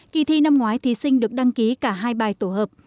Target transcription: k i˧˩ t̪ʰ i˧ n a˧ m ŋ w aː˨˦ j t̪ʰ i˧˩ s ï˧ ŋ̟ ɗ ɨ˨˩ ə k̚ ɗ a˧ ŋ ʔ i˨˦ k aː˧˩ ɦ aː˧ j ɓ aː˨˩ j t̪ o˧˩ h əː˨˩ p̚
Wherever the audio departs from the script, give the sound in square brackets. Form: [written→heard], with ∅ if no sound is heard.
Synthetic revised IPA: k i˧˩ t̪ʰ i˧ n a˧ m ŋ w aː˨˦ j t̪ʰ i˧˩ s ï˧ ŋ̟ ɗ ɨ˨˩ ə k̚ ɗ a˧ ŋ [ʔ→k] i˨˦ k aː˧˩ ɦ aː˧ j ɓ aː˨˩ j t̪ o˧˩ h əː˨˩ p̚